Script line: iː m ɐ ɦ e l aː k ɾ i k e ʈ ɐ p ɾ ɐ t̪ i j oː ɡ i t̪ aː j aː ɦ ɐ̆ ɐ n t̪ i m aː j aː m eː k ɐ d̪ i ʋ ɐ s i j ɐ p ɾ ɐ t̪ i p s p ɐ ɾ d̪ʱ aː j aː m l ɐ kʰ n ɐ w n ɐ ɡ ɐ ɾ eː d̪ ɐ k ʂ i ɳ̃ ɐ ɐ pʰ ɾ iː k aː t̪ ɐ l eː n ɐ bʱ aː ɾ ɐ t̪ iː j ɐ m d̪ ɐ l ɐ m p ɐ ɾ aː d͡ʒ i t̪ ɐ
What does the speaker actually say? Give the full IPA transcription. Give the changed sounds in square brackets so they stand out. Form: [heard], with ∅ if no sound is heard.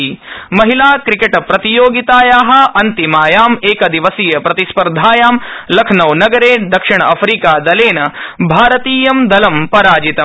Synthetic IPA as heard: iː m ɐ ɦ [i] l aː k ɾ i k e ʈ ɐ p ɾ ɐ t̪ i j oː ɡ i t̪ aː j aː ɦ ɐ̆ ɐ n t̪ i m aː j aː m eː k ɐ d̪ i ʋ ɐ s i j ɐ p ɾ ɐ t̪ i [∅] s p ɐ ɾ d̪ʱ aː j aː m l ɐ kʰ n ɐ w n ɐ ɡ ɐ ɾ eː d̪ ɐ k ʂ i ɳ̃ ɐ ɐ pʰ ɾ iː k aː [d̪] ɐ l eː n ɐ bʱ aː ɾ ɐ t̪ iː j ɐ m d̪ ɐ l ɐ m p ɐ ɾ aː d͡ʒ i t̪ ɐ

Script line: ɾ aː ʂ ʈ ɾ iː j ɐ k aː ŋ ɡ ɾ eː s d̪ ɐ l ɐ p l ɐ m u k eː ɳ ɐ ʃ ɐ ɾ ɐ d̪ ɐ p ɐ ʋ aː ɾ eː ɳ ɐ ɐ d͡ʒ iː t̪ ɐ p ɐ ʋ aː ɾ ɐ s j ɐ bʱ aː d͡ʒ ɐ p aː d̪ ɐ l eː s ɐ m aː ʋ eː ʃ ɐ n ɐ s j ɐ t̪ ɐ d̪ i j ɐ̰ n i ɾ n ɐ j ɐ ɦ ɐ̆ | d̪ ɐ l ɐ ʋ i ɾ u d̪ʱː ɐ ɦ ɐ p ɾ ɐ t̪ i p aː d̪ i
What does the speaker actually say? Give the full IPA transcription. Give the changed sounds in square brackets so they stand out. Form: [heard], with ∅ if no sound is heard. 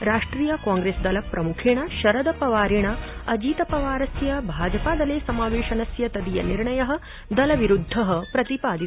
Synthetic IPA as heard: ɾ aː ʂ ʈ ɾ iː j ɐ k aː ŋ ɡ ɾ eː s d̪ ɐ l ɐ p [ɾ] ɐ m u [kʰ] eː ɳ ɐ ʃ ɐ ɾ ɐ d̪ ɐ p ɐ ʋ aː ɾ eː ɳ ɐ ɐ d͡ʒ iː t̪ ɐ p ɐ ʋ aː ɾ ɐ s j ɐ bʱ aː d͡ʒ ɐ p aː d̪ ɐ l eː s ɐ m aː ʋ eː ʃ ɐ n ɐ s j ɐ t̪ ɐ d̪ i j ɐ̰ n i ɾ [ɳ] ɐ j ɐ ɦ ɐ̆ | d̪ ɐ l ɐ ʋ i ɾ u d̪ʱː ɐ ɦ ɐ p ɾ ɐ t̪ i p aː d̪ i

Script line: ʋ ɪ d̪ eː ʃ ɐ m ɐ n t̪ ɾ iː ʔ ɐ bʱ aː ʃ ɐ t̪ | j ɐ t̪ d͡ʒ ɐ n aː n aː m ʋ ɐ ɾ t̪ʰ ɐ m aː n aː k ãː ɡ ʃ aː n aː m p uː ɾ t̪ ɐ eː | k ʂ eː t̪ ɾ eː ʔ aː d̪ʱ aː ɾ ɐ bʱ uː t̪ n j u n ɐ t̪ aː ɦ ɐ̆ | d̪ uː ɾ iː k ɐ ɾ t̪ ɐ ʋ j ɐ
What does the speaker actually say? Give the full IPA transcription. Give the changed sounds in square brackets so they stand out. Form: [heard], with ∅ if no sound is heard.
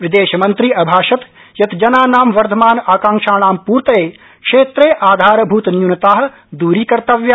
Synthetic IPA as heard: ʋ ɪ d̪ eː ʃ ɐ m ɐ n t̪ ɾ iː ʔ ɐ bʱ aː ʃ ɐ t̪ | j ɐ t̪ d͡ʒ ɐ n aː n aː m ʋ ɐ ɾ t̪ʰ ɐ m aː n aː k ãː [ŋ] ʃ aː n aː m p uː ɾ t̪ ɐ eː | k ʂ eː t̪ ɾ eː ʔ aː d̪ʱ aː ɾ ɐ bʱ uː t̪ n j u n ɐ t̪ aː ɦ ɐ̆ | d̪ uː ɾ iː k ɐ ɾ t̪ ɐ ʋ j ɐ

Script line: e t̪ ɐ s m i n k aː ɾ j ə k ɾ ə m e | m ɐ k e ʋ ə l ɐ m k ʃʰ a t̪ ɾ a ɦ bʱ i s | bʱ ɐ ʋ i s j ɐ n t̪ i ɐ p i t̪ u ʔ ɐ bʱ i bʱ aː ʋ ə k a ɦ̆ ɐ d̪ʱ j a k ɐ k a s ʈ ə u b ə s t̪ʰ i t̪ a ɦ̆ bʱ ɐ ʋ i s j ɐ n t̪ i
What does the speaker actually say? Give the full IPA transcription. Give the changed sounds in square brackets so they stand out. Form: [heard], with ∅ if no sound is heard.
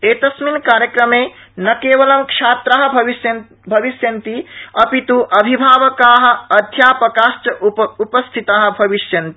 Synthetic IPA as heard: e t̪ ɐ s m i n k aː ɾ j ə k ɾ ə m e | [n] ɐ k e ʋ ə l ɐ m k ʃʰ a t̪ ɾ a ɦ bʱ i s | bʱ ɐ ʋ i s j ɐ n t̪ i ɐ p i t̪ u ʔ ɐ bʱ i bʱ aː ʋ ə k a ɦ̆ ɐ d̪ʱ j a [p] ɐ k a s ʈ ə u [p] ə s t̪ʰ i t̪ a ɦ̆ bʱ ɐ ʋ i s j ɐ n t̪ i

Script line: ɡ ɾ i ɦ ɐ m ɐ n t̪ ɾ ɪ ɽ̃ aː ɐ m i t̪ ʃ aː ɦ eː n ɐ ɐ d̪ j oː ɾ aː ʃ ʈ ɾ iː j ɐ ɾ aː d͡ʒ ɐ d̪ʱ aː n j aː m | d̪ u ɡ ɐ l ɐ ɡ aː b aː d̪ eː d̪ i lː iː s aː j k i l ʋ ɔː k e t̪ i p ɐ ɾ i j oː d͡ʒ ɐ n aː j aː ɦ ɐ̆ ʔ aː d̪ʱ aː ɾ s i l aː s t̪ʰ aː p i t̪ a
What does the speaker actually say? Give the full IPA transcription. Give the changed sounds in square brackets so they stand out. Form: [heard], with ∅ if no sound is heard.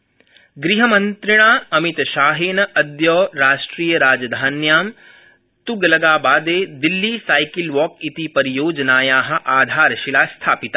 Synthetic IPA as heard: ɡ ɾ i ɦ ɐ m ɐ n t̪ ɾ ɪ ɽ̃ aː ɐ m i t̪ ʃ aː ɦ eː n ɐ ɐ d̪ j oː ɾ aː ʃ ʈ ɾ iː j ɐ ɾ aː d͡ʒ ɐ d̪ʱ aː n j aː m | [t̪] u ɡ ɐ l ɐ ɡ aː b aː d̪ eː d̪ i lː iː s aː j k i l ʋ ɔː k [i] t̪ i p ɐ ɾ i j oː d͡ʒ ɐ n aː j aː ɦ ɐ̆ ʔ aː d̪ʱ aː ɾ [ʃ] i l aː s t̪ʰ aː p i t̪ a

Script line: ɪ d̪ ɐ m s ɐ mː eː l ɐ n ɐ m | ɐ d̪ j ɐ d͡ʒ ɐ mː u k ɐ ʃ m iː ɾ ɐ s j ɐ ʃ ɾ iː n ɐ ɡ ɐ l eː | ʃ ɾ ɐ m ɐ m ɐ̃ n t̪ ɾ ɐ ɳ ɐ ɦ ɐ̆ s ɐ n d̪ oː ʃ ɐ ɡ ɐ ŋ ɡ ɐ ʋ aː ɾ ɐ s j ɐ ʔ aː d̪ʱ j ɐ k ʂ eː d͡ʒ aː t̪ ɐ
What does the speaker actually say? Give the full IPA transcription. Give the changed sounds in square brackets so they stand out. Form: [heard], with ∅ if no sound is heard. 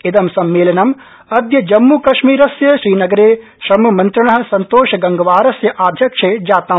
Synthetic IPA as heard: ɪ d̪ ɐ m s ɐ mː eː l ɐ n ɐ m | ɐ d̪ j ɐ d͡ʒ ɐ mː u k ɐ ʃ m iː ɾ ɐ s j ɐ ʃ ɾ iː n ɐ ɡ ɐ [ɾ] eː | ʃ ɾ ɐ m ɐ m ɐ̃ n t̪ ɾ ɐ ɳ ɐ ɦ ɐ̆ s ɐ n [t̪] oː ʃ ɐ ɡ ɐ ŋ ɡ ɐ ʋ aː ɾ ɐ s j ɐ ʔ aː d̪ʱ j ɐ k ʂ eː d͡ʒ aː t̪ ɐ

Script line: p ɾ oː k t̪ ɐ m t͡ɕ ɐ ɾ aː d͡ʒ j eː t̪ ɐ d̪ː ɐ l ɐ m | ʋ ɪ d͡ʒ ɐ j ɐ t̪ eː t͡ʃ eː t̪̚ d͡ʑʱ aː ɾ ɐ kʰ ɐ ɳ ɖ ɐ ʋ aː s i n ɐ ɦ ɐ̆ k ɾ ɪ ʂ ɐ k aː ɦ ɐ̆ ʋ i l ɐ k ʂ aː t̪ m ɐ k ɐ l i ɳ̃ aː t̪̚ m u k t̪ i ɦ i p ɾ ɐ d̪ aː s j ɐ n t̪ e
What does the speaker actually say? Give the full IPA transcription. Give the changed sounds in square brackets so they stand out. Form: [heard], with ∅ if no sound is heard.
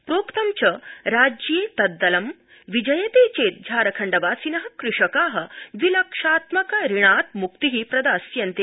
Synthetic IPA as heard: p ɾ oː k t̪ ɐ m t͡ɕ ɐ ɾ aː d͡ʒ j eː t̪ ɐ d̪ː ɐ l ɐ m | ʋ [i] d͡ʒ ɐ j ɐ t̪ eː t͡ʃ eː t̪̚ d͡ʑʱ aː ɾ ɐ kʰ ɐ ɳ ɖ ɐ ʋ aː s i n ɐ ɦ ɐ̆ k ɾ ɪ ʂ ɐ k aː ɦ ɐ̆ ʋ i l ɐ k ʂ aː t̪ m ɐ k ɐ [ɾ] i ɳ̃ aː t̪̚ m u k t̪ i ɦ i p ɾ ɐ d̪ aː s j ɐ n t̪ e

